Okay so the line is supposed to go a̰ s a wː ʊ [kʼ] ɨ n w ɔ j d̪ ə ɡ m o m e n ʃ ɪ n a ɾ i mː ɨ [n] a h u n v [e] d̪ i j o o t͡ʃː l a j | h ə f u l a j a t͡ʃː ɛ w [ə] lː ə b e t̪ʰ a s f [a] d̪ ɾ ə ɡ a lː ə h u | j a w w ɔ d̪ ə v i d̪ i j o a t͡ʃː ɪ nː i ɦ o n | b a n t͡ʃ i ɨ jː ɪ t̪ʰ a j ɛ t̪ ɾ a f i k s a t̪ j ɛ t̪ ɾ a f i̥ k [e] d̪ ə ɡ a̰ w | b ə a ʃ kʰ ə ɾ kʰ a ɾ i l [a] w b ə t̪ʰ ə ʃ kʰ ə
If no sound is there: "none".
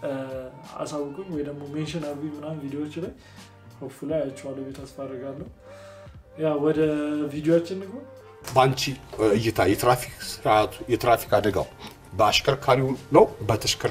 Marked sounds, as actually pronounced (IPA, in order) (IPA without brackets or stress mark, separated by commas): kʼ, n, i, a, a, a, ə